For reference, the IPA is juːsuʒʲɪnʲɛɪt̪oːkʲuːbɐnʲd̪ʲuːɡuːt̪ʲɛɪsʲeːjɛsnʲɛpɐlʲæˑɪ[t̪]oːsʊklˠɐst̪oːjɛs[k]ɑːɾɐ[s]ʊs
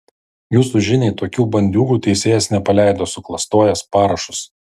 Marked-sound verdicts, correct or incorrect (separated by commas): incorrect, incorrect, incorrect